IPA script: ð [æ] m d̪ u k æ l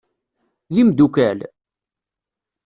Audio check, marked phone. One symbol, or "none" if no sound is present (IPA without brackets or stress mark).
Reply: i